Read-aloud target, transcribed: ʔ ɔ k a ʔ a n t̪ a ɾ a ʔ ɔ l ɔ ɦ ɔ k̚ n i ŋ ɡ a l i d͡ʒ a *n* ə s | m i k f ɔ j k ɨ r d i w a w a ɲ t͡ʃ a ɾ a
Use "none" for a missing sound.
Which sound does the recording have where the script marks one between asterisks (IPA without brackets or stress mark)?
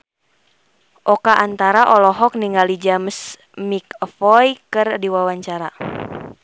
m